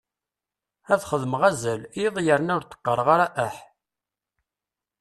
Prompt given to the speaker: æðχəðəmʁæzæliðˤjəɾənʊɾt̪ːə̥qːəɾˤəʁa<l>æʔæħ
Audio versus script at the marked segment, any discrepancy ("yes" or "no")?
yes